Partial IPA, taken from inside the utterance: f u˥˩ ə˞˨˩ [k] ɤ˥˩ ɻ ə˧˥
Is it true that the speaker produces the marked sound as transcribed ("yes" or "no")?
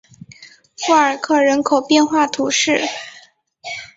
no